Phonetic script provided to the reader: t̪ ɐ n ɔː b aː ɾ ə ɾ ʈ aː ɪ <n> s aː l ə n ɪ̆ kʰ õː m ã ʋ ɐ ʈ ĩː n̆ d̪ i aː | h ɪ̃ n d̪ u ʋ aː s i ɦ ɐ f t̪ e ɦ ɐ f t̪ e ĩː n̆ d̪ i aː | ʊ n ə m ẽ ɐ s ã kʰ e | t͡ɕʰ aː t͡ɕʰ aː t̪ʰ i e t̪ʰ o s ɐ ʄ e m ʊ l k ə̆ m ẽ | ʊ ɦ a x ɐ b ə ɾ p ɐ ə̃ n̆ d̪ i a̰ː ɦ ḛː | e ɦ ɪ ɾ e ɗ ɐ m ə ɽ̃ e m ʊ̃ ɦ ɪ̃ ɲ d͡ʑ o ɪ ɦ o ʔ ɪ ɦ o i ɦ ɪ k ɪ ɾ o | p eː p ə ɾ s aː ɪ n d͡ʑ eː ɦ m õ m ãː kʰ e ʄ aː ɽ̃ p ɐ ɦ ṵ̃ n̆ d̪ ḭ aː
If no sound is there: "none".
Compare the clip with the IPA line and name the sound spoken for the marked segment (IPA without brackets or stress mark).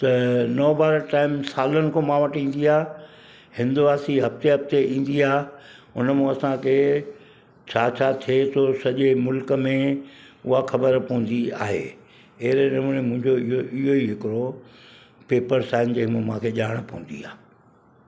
m